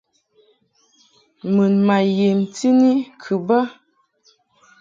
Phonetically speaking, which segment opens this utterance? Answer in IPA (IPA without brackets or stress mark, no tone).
m